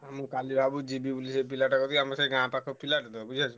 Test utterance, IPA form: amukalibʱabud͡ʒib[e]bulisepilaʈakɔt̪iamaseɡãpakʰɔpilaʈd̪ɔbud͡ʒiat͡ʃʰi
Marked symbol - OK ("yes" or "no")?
no